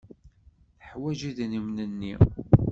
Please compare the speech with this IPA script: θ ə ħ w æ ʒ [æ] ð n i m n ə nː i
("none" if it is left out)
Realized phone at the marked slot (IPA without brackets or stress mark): i